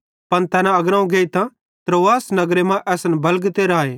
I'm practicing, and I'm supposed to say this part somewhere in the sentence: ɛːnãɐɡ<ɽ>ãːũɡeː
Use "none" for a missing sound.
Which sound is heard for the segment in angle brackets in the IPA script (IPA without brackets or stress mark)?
ɾ